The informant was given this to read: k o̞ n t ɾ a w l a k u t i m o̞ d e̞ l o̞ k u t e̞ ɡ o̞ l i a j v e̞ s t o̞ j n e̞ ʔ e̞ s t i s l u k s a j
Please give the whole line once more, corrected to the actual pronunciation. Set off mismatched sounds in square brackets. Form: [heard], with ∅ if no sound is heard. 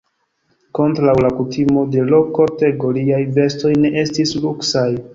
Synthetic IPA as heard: k o̞ n t ɾ a w l a k u t i m o̞ d e̞ l o̞ k [o] t e̞ ɡ o̞ l i a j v e̞ s t o̞ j n e̞ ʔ e̞ s t i s l u k s a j